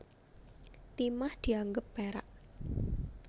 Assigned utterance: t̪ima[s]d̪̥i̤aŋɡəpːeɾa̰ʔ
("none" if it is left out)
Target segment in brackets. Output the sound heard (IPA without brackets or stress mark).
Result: h